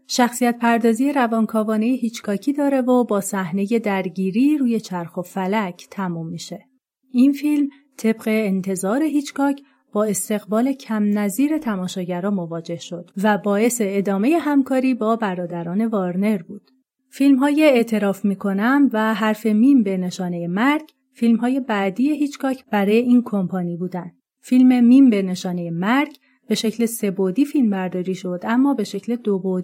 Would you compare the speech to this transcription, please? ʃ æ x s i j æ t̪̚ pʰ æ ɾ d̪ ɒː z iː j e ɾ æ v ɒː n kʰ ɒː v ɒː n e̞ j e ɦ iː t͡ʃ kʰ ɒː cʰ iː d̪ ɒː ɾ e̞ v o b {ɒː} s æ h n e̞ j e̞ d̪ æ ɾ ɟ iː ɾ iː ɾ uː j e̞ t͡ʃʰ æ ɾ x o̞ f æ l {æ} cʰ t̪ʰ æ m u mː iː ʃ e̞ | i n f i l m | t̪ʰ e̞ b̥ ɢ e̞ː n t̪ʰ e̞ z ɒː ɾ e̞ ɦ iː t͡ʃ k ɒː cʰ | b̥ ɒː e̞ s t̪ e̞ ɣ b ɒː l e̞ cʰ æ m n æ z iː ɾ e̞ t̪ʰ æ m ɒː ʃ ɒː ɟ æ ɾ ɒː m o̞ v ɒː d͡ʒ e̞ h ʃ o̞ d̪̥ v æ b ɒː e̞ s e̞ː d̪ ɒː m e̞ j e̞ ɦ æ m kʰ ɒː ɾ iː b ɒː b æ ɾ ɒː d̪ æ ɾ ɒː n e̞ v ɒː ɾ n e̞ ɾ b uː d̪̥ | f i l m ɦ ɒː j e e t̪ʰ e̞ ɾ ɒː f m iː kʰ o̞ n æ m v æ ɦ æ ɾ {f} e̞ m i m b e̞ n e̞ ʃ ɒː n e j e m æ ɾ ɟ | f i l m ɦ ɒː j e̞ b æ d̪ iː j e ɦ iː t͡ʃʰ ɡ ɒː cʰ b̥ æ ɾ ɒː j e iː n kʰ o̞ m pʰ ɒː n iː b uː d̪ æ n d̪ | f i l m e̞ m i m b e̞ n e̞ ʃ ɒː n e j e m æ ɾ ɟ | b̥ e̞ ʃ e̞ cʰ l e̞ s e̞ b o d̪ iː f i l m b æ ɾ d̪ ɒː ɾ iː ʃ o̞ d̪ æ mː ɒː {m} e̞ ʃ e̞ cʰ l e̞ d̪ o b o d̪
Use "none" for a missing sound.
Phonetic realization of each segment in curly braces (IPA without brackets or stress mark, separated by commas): ɒː, æ, f, b